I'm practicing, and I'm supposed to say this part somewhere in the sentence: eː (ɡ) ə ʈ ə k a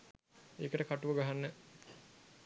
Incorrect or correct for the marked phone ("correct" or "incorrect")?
incorrect